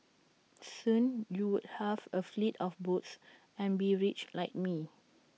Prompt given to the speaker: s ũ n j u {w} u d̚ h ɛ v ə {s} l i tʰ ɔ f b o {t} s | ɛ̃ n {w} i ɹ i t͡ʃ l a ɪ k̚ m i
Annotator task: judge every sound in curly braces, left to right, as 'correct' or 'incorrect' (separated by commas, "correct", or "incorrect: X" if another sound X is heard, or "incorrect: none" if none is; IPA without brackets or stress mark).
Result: correct, incorrect: f, correct, incorrect: b